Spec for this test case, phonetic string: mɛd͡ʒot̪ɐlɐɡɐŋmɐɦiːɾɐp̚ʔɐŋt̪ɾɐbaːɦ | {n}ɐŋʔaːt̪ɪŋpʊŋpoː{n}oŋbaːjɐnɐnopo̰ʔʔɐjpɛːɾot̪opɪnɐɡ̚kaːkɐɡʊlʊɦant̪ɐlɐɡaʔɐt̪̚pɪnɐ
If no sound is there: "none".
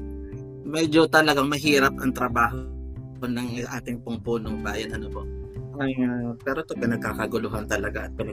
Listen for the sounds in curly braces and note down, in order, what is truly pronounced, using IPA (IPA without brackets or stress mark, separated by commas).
n, n